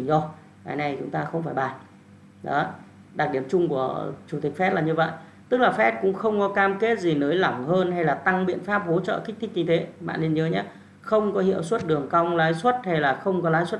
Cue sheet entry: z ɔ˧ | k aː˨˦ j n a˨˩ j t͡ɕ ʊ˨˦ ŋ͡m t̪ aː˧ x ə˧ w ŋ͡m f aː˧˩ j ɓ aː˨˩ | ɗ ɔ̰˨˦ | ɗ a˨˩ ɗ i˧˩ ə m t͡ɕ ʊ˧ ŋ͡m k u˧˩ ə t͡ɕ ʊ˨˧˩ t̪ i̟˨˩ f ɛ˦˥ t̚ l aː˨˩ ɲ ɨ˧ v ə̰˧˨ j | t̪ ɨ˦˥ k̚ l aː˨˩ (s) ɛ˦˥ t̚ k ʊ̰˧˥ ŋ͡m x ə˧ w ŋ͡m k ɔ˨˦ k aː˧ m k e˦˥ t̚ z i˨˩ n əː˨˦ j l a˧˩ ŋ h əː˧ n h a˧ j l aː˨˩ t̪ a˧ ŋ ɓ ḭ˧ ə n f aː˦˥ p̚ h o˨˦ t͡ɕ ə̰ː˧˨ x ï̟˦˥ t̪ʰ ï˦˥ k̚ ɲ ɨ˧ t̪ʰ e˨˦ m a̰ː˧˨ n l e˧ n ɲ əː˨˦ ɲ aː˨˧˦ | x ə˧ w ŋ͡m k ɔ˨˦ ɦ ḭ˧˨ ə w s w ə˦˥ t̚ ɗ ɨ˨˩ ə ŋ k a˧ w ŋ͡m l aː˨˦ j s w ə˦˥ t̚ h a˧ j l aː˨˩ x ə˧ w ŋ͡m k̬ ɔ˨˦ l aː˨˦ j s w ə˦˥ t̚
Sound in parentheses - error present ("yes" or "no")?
yes